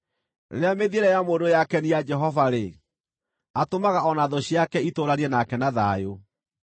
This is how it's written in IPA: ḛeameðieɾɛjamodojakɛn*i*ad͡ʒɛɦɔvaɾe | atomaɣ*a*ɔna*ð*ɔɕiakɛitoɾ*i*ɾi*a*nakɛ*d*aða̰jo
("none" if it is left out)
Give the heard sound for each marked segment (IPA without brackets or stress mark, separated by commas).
i, a, ð, a, ɛ, n